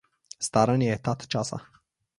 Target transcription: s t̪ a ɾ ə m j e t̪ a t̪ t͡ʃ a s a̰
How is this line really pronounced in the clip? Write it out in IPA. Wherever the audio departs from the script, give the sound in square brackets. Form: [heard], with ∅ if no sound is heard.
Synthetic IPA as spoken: s t̪ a ɾ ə [n] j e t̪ a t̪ t͡ʃ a s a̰